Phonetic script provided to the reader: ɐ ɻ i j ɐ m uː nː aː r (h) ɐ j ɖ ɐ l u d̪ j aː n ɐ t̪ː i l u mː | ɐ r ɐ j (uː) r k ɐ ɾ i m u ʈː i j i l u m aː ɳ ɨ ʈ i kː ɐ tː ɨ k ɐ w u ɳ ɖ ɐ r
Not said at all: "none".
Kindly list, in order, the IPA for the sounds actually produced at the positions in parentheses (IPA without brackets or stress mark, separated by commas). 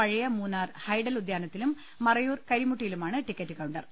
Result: h, uː